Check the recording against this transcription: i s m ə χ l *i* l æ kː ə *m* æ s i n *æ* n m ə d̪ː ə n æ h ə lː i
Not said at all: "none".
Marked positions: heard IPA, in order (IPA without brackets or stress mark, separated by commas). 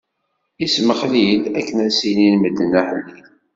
i, n, i